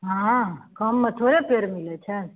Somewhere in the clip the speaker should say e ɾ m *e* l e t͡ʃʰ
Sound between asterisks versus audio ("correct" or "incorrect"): incorrect